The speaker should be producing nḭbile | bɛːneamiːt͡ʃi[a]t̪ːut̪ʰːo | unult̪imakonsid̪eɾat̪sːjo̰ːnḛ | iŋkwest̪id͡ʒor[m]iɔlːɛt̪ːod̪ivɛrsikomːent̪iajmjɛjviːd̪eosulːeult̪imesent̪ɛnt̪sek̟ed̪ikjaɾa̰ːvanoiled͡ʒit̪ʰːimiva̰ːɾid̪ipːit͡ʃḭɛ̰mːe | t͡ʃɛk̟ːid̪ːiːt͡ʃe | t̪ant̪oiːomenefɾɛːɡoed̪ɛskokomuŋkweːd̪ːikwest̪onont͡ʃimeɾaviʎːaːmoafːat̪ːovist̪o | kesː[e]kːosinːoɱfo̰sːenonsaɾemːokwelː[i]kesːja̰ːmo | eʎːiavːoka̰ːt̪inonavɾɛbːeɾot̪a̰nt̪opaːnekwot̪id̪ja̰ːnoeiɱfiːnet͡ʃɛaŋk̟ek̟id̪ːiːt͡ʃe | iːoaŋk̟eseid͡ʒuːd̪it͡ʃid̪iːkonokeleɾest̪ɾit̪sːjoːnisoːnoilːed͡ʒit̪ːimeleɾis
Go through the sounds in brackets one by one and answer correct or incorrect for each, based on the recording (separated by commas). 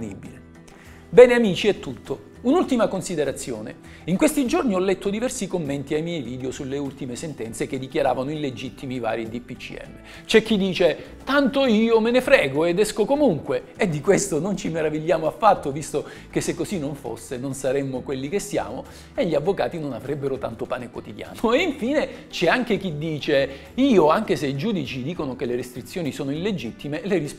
incorrect, incorrect, correct, correct